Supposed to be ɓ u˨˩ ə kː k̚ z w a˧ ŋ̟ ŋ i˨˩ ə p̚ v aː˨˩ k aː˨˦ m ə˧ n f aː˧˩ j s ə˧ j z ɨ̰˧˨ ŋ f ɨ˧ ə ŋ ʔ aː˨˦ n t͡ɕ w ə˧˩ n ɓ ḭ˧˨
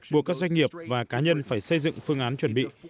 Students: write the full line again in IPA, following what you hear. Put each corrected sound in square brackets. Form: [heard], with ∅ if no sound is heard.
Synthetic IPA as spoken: ɓ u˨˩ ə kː k̚ z w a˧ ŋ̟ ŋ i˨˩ ə p̚ v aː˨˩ k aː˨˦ [ɲ] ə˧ n f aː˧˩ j s ə˧ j z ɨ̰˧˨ ŋ f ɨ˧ ə ŋ ʔ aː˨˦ n t͡ɕ w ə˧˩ n ɓ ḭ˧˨